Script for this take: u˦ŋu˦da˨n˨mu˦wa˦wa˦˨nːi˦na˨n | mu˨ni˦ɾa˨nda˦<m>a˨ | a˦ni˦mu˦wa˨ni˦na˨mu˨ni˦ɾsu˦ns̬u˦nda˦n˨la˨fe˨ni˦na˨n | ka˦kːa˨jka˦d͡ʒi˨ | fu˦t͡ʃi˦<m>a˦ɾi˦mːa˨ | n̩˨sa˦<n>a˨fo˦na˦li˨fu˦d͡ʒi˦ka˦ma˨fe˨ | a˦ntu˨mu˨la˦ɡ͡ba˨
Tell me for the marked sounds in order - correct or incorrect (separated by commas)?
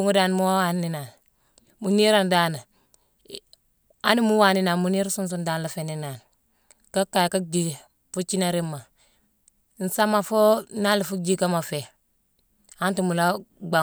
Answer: incorrect, incorrect, incorrect